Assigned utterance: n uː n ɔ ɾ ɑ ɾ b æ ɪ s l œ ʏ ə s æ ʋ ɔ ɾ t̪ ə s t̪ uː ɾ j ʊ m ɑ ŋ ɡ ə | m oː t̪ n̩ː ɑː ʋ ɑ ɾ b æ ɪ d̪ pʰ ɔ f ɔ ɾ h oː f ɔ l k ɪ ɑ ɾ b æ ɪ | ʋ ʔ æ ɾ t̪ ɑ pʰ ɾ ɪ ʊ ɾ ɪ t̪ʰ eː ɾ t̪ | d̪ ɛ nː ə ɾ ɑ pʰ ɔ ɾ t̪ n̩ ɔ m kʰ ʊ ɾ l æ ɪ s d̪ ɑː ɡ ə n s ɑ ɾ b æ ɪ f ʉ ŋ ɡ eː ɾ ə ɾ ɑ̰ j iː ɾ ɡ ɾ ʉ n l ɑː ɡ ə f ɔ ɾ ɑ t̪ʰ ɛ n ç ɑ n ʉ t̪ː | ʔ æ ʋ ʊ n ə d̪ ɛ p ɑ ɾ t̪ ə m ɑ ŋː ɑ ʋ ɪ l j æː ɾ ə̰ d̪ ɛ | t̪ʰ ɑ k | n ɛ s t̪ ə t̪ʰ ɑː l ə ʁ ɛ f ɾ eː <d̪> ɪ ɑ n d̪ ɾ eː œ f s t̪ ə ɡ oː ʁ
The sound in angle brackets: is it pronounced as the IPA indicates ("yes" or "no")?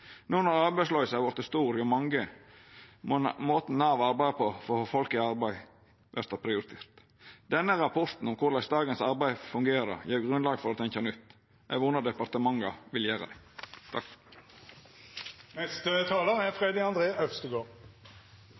yes